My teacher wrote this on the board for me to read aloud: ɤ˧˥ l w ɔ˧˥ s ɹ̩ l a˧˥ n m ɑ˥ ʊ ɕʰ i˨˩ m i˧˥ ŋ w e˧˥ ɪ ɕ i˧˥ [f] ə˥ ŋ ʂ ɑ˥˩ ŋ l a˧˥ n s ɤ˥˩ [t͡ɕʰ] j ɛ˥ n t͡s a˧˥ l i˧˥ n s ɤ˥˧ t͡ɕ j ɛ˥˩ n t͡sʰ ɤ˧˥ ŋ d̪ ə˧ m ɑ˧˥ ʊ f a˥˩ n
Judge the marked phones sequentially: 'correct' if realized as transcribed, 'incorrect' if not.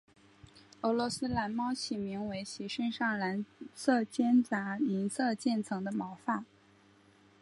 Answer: incorrect: ʂ, incorrect: t͡ɕ

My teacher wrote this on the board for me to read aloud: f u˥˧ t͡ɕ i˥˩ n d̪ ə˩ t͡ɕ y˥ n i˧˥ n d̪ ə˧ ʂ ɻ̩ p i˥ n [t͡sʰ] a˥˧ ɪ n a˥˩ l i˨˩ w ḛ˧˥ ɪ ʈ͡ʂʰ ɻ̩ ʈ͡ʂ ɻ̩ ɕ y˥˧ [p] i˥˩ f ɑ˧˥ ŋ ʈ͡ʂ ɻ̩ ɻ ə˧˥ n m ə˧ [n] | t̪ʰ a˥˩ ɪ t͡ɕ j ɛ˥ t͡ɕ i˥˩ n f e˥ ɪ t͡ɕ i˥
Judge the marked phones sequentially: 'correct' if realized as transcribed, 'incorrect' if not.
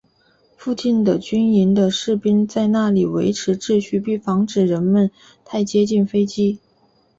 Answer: incorrect: t͡s, correct, correct

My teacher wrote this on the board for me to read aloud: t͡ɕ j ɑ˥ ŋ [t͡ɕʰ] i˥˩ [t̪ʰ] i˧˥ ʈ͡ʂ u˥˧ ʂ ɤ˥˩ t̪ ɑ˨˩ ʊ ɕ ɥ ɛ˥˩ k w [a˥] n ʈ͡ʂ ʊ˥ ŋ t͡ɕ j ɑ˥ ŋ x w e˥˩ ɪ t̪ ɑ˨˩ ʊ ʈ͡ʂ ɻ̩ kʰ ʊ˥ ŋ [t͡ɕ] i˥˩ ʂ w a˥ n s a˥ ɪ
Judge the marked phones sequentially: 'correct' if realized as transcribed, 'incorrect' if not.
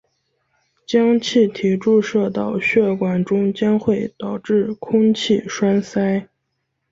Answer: correct, correct, incorrect: a˨˩, incorrect: t͡ɕʰ

